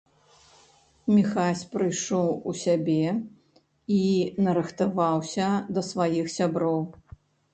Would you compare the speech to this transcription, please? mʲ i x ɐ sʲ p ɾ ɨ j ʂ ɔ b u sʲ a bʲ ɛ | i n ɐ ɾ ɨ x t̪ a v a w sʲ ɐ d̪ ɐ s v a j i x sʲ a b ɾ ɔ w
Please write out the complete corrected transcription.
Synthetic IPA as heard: mʲ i x a sʲ p ɾ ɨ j ʂ ɔ w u sʲ a bʲ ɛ | i n ɐ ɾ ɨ x t̪ a v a w sʲ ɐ d̪ ɐ s v a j i x sʲ a b ɾ ɔ w